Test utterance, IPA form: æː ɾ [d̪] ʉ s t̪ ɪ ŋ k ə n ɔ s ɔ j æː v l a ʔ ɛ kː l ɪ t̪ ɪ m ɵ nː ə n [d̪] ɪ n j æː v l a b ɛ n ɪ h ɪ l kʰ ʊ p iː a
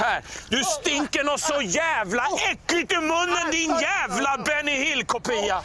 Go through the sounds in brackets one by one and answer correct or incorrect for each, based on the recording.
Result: correct, correct

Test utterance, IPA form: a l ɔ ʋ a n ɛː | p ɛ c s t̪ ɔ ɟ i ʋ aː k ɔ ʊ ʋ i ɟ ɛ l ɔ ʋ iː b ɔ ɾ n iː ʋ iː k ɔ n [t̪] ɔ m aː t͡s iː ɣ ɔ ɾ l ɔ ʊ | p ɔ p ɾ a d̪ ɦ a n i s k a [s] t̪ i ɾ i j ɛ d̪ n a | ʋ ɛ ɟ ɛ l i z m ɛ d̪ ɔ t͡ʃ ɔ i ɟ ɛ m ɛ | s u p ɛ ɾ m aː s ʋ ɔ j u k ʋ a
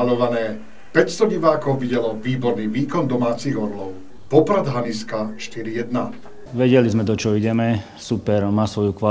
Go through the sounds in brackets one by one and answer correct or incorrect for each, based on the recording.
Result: incorrect, incorrect

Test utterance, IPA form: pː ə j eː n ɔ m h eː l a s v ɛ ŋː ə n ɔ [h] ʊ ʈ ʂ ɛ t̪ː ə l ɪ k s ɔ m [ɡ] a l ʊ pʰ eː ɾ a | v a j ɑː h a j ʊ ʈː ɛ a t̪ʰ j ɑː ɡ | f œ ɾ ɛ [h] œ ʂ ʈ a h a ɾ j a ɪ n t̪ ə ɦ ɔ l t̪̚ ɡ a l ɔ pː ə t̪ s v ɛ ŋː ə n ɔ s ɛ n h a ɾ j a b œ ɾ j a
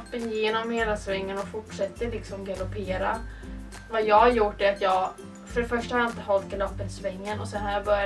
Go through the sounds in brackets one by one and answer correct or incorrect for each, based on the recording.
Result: incorrect, correct, incorrect

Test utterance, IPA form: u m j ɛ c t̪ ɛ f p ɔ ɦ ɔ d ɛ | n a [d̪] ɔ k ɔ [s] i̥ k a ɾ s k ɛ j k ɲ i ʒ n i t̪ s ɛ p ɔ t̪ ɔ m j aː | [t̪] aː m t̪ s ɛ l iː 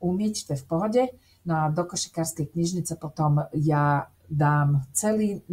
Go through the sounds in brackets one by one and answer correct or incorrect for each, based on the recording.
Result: correct, incorrect, incorrect

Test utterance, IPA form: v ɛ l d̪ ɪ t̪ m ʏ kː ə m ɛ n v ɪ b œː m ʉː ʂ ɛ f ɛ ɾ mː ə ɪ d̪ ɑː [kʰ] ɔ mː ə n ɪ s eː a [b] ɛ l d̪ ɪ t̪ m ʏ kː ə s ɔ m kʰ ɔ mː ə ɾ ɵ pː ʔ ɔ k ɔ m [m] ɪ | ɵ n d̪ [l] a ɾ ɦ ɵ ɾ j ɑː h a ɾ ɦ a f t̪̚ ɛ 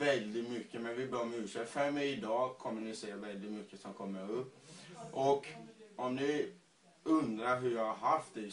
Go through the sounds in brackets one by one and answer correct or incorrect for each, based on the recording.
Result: correct, incorrect, incorrect, incorrect

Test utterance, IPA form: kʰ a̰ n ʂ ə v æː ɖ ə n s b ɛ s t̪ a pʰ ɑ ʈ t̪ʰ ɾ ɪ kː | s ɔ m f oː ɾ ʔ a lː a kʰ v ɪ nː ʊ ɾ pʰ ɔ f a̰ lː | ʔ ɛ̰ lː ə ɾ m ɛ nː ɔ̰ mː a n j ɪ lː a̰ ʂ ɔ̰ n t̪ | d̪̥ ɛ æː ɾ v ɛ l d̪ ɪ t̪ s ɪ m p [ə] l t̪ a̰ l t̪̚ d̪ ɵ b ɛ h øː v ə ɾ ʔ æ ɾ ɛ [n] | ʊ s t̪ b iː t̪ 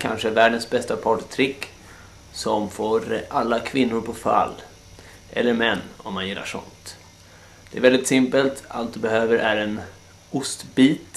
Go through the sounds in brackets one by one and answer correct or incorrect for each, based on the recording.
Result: correct, correct

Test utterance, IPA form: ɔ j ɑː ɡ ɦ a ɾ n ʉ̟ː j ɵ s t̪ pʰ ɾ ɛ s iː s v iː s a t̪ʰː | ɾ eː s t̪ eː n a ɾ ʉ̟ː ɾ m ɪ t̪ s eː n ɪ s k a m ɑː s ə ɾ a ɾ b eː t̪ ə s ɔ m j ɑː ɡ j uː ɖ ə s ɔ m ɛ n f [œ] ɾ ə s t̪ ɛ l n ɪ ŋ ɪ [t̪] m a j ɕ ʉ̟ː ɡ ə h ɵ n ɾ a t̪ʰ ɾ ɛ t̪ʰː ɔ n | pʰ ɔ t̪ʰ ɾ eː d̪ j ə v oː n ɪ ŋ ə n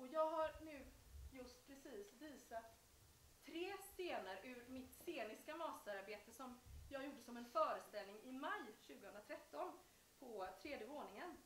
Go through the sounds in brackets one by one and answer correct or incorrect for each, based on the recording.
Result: incorrect, incorrect

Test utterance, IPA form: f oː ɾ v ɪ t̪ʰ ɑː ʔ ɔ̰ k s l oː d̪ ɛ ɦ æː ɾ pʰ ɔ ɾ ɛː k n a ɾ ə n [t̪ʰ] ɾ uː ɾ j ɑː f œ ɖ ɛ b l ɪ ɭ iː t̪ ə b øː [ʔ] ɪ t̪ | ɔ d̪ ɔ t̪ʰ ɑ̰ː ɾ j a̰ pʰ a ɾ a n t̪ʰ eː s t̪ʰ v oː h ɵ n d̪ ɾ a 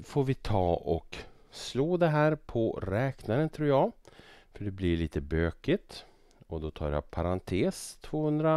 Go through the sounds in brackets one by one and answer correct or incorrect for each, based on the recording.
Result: correct, incorrect

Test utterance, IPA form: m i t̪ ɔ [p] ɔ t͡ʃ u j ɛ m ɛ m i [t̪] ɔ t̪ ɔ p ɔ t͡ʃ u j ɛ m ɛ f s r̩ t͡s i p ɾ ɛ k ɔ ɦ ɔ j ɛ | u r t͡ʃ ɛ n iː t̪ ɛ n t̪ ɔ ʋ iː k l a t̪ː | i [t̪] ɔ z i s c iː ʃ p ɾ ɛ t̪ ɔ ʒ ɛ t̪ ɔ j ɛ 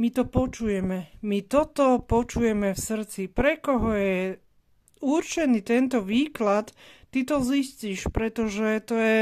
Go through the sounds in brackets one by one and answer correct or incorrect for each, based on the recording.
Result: correct, correct, correct

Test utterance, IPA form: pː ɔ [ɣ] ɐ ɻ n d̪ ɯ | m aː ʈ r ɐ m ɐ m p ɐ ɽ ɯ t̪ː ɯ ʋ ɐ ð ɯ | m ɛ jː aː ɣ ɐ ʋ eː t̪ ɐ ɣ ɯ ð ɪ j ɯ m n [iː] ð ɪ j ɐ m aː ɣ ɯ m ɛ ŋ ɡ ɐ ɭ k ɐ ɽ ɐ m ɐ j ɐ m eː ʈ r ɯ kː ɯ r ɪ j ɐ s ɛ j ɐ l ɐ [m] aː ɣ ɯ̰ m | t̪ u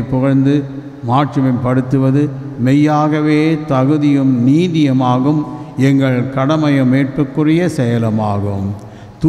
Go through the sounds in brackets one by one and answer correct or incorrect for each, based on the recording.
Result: correct, correct, correct

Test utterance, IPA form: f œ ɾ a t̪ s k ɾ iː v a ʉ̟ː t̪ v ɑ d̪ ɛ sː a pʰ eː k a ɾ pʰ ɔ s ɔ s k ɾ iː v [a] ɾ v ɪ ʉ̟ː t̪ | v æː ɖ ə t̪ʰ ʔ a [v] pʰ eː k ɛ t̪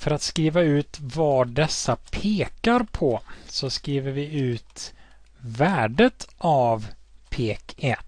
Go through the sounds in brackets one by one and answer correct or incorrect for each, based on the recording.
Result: incorrect, correct

